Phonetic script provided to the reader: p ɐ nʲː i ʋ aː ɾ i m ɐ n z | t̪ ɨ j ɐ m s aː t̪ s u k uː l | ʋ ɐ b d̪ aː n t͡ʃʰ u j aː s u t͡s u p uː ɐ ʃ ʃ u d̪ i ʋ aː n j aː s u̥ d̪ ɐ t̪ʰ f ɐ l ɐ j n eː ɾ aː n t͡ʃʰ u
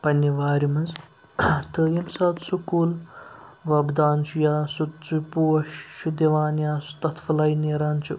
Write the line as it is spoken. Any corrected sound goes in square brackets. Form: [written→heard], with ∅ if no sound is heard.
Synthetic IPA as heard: p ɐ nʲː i ʋ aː ɾ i m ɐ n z | t̪ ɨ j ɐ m s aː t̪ s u k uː l | ʋ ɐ b d̪ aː n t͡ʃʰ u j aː s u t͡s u p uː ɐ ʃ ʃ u d̪ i ʋ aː n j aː s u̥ [d̪→t̪] ɐ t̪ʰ f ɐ l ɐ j n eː ɾ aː n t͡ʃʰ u